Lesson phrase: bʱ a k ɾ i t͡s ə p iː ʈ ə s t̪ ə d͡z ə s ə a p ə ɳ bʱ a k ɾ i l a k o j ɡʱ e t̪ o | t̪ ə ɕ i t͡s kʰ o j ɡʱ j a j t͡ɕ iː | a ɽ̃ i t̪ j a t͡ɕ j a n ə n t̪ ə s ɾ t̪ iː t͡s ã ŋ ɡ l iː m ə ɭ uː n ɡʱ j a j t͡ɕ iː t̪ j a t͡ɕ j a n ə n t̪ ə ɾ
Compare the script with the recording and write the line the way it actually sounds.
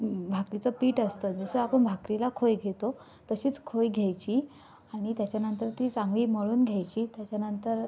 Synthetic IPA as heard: bʱ a k ɾ i t͡s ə p iː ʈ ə s t̪ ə d͡z ə s ə a p ə ɳ bʱ a k ɾ i l a kʰ o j ɡʱ e t̪ o | t̪ ə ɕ iː t͡s kʰ o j ɡʱ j a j t͡ɕ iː | a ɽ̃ i t̪ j a t͡ɕ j a n ə n t̪ ə ɾ t̪ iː t͡s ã ŋ ɡ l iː m ə ɭ uː n ɡʱ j a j t͡ɕ iː t̪ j a t͡ɕ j a n ə n t̪ ə ɾ